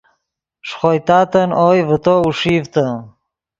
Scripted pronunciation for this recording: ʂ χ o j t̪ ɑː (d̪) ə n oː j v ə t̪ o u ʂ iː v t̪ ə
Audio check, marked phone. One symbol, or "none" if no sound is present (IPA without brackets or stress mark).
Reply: t̪